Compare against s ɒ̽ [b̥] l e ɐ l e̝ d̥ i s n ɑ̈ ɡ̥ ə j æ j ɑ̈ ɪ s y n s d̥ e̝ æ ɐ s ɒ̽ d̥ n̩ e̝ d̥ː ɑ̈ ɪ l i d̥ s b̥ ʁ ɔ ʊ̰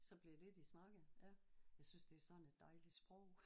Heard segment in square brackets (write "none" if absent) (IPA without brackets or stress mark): b̥